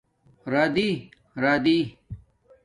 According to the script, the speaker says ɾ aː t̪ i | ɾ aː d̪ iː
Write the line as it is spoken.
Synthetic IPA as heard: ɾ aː d̪ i | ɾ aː d̪ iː